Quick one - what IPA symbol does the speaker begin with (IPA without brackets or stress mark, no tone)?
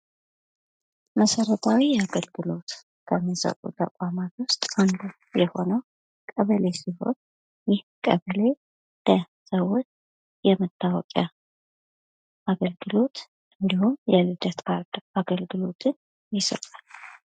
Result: m